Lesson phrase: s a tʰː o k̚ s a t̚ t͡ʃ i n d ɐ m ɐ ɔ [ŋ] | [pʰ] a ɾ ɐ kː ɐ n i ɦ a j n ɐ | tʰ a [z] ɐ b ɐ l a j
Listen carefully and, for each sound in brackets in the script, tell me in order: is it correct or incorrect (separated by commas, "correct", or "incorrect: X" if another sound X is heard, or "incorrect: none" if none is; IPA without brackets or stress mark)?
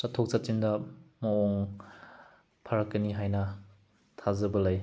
correct, correct, correct